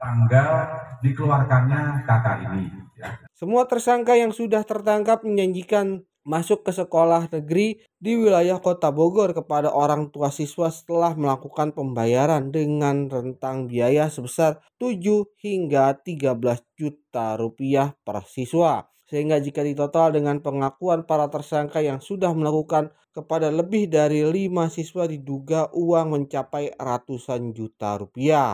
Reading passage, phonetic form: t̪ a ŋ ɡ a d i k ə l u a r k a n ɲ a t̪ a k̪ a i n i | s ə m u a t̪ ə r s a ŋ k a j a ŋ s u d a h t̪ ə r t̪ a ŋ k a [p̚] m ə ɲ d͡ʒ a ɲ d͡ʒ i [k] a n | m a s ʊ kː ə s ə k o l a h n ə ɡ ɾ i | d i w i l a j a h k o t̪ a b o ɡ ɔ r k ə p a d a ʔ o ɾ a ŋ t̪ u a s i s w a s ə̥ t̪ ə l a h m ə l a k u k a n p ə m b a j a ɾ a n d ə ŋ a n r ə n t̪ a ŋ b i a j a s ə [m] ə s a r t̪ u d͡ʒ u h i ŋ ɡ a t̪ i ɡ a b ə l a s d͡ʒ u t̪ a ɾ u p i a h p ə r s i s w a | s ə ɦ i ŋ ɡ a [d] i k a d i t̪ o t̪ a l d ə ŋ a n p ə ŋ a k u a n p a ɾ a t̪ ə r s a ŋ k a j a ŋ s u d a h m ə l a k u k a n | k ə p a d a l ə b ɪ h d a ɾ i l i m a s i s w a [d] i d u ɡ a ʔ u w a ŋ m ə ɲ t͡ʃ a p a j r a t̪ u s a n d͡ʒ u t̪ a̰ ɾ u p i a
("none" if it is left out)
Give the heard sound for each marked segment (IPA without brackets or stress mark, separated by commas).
p̚, k, b, d͡ʒ, d